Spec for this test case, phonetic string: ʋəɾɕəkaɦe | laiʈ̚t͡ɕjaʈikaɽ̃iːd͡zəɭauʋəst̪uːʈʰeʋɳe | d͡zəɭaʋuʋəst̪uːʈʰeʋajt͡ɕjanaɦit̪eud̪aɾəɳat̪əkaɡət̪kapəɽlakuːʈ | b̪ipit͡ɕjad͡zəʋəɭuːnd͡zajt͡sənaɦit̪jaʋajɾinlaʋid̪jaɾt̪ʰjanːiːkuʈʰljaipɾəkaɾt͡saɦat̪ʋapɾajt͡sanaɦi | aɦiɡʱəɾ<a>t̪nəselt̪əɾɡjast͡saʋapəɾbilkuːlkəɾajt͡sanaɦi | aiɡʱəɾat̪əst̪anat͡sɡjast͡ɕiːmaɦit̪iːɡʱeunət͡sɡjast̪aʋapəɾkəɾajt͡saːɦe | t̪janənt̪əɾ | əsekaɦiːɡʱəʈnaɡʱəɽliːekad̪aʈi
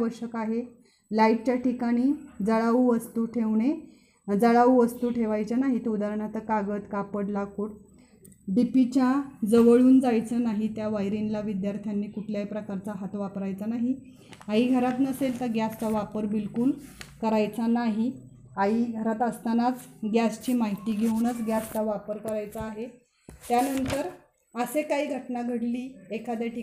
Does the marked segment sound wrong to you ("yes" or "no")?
no